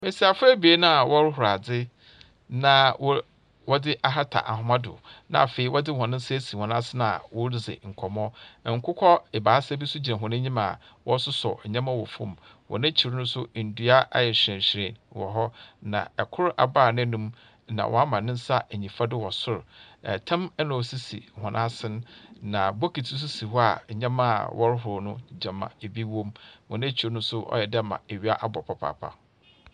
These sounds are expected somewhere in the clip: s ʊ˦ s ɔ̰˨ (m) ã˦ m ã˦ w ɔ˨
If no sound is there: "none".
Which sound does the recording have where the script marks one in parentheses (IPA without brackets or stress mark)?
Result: ɲ